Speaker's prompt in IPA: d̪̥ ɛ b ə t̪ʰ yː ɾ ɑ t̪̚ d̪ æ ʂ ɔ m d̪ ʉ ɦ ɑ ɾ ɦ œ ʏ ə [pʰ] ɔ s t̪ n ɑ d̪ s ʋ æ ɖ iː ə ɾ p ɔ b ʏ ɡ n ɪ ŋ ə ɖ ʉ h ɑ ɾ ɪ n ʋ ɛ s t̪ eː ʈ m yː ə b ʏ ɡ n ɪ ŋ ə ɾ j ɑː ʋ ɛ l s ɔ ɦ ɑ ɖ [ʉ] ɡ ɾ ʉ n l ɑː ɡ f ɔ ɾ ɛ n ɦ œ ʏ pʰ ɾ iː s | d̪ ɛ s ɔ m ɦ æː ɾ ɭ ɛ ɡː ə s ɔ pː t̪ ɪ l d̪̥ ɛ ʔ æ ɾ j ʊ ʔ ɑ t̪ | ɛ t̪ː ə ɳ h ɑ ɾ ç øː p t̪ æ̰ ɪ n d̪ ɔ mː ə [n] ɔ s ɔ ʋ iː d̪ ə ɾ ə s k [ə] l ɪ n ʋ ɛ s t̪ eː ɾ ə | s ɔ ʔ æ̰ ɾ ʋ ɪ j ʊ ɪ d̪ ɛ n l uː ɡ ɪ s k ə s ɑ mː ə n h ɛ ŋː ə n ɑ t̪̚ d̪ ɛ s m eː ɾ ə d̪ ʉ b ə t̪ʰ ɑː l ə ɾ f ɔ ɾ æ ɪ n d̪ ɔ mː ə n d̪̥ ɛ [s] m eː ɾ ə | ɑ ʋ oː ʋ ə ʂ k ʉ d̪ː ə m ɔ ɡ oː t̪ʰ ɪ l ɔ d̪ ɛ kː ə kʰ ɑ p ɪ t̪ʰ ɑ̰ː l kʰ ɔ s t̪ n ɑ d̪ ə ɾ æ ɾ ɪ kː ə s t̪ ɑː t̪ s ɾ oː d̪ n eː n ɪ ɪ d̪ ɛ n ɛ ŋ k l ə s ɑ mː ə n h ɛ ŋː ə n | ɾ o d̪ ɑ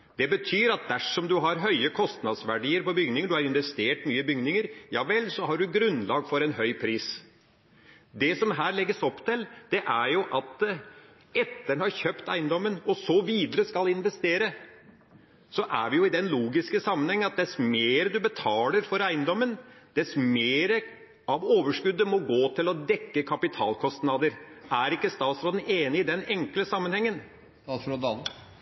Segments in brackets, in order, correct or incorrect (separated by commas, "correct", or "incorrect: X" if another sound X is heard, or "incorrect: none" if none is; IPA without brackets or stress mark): incorrect: kʰ, correct, correct, incorrect: ɑ, correct